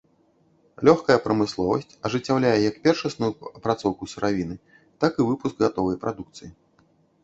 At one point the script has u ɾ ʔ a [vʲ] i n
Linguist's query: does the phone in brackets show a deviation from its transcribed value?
no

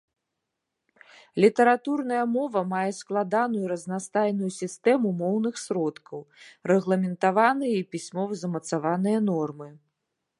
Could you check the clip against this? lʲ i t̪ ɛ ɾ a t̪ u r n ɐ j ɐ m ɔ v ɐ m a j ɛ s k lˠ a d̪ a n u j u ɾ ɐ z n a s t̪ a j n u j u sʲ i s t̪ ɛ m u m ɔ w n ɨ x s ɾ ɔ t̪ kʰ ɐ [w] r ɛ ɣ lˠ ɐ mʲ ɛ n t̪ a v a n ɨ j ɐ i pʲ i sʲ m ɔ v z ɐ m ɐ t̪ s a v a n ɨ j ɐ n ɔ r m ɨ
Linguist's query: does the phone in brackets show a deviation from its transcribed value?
no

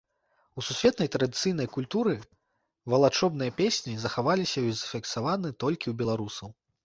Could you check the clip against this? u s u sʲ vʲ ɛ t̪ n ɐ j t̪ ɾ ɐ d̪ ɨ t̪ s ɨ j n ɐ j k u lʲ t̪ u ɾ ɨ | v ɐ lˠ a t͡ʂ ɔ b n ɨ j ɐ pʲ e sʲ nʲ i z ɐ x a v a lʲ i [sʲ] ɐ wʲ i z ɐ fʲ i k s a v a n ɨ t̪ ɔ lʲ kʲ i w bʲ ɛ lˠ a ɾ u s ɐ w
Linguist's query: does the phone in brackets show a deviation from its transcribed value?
no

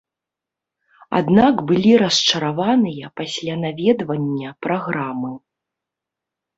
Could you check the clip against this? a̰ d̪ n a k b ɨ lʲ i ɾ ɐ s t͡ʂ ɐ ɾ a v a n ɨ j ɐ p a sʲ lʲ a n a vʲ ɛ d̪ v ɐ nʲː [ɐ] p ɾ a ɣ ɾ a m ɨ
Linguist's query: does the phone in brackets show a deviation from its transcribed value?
no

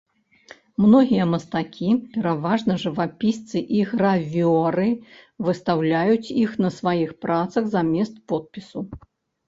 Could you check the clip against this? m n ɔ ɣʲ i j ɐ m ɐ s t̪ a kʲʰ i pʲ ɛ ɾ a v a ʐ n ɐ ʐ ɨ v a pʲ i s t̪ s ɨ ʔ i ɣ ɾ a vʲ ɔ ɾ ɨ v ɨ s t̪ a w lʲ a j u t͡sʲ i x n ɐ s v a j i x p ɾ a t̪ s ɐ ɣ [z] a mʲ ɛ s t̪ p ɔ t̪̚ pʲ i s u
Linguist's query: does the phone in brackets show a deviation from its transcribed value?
no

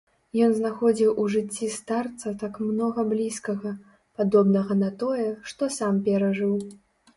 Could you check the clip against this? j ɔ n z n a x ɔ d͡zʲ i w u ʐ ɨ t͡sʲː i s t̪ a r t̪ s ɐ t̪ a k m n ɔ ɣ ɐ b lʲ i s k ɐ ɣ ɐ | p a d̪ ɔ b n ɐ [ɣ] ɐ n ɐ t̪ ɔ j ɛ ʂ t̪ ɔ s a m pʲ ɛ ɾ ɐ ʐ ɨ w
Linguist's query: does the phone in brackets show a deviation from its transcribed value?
no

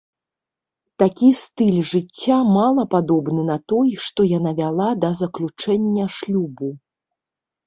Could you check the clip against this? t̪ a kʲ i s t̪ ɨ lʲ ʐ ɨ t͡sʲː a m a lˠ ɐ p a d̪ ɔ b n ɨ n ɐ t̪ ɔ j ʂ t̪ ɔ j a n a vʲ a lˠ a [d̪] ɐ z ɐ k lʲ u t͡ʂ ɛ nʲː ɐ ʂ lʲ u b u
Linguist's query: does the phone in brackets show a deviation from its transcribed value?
no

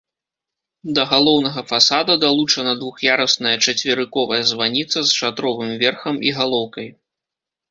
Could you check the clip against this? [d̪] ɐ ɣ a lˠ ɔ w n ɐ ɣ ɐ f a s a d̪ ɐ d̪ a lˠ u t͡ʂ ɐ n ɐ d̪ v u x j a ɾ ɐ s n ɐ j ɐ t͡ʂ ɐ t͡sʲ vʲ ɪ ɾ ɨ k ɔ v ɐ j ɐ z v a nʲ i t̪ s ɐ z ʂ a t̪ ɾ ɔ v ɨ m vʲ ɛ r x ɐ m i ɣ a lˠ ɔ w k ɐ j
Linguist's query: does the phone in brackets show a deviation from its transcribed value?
no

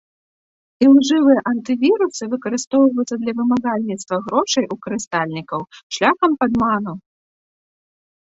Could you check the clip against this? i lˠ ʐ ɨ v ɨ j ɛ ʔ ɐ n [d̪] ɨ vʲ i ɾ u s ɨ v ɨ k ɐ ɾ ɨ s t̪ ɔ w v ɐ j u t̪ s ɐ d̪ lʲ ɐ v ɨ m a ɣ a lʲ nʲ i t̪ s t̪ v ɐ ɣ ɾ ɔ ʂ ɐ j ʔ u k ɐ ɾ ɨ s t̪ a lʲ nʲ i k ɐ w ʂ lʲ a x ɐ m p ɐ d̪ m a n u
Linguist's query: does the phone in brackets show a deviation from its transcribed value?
yes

